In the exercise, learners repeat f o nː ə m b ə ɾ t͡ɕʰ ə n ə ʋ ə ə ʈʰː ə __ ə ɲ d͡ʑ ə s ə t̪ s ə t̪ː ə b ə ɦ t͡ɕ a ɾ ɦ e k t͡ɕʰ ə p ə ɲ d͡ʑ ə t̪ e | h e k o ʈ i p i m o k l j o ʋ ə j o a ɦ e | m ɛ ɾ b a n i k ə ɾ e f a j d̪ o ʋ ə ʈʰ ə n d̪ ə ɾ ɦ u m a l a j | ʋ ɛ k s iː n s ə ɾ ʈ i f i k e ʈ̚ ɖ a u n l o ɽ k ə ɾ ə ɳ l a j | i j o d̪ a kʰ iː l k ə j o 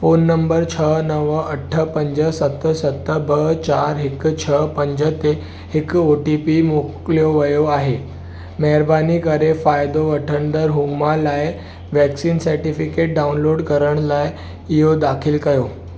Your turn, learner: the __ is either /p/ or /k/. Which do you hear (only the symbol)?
p